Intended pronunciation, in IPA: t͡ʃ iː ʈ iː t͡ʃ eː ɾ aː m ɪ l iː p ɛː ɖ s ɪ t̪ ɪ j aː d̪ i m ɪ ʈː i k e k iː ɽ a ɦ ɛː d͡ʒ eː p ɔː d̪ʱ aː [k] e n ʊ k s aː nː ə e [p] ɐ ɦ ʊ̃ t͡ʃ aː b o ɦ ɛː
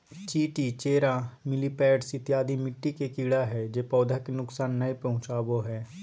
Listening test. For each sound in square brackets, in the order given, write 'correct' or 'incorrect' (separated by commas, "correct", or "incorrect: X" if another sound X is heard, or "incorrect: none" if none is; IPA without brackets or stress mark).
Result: correct, correct